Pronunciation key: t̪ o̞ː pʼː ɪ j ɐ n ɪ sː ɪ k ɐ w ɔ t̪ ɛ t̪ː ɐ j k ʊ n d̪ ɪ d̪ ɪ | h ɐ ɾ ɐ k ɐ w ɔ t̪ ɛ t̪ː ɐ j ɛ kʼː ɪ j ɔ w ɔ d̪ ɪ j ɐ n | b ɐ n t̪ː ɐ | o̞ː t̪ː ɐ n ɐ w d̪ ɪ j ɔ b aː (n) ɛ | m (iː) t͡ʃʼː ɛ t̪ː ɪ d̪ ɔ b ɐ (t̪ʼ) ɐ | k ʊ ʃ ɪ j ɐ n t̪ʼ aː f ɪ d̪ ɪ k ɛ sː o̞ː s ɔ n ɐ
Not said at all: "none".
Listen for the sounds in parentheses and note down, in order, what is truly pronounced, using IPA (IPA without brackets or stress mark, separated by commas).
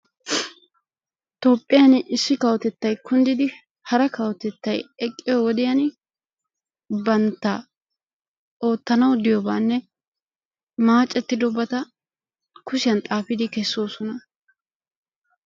nː, aː, t̪